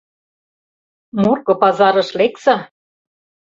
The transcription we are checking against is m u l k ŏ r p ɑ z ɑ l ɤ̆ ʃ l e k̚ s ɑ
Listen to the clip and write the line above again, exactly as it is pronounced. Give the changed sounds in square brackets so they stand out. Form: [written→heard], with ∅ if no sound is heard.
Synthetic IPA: m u [l→r] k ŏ [r→∅] p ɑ z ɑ [l→ɾ] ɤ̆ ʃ l e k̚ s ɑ